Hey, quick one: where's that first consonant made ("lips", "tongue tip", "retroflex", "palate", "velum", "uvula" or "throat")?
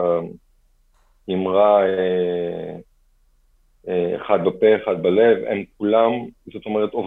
lips